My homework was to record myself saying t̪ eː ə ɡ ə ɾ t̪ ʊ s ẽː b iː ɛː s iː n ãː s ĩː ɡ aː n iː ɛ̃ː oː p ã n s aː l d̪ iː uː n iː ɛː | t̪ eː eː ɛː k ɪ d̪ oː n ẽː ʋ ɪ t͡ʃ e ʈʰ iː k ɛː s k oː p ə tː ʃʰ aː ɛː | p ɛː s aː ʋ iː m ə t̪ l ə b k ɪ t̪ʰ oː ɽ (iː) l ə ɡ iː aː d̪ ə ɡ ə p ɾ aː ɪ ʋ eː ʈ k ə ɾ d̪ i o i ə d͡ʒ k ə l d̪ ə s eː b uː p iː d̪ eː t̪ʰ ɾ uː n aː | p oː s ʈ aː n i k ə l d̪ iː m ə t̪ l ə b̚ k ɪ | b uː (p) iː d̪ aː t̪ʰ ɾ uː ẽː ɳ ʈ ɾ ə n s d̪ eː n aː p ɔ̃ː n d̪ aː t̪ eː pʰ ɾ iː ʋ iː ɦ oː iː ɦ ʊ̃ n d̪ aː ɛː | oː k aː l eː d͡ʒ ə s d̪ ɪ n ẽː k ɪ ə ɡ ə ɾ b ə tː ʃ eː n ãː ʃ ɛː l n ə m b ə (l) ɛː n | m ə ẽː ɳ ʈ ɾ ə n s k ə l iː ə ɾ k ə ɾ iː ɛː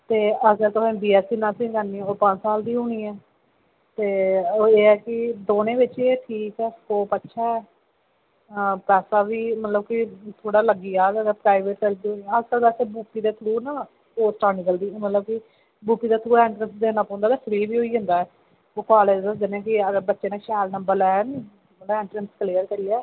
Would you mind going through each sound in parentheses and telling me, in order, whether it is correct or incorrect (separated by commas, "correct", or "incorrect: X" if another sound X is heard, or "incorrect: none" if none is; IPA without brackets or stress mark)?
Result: incorrect: aː, correct, incorrect: ɾ